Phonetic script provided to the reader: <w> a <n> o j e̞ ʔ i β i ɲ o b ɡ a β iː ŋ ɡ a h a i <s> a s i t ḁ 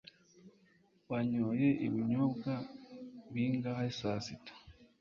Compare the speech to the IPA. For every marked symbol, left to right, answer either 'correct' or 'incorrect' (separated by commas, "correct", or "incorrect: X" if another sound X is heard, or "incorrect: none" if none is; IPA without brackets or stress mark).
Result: correct, incorrect: ɲ, correct